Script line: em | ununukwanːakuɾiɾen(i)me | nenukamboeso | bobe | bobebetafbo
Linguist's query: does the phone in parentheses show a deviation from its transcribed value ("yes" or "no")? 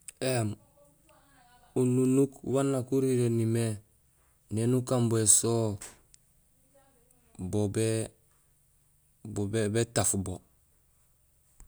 no